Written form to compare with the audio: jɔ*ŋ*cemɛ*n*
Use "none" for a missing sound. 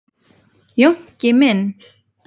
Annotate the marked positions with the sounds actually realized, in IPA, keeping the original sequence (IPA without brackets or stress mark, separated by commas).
ŋ, n